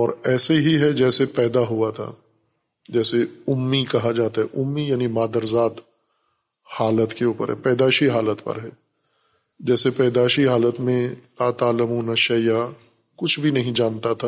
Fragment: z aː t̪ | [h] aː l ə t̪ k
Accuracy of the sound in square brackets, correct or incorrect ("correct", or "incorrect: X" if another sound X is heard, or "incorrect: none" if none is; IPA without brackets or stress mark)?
correct